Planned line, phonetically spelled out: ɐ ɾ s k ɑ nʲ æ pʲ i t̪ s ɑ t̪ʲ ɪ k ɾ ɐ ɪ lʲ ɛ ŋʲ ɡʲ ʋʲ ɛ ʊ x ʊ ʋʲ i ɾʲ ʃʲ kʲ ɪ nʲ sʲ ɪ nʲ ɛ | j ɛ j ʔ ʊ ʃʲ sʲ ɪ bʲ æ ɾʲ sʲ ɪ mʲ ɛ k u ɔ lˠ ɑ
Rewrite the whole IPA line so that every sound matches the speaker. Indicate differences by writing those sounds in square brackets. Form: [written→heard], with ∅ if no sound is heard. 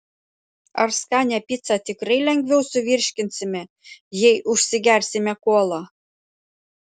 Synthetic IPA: ɐ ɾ s k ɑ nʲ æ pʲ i t̪ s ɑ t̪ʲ ɪ k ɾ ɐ ɪ lʲ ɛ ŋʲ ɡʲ ʋʲ ɛ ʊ [x→s] ʊ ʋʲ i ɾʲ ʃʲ kʲ ɪ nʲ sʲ ɪ [nʲ→mʲ] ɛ | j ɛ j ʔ ʊ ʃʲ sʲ ɪ [bʲ→ɡʲ] æ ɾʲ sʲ ɪ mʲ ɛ k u ɔ lˠ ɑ